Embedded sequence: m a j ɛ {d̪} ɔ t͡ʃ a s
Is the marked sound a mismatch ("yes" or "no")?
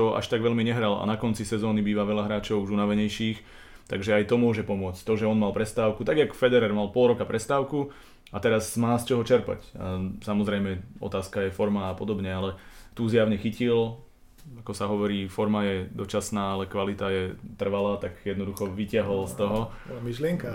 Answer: no